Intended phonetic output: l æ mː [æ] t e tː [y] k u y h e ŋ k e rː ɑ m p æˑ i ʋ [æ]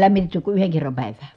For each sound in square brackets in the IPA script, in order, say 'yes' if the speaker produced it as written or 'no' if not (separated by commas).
no, yes, no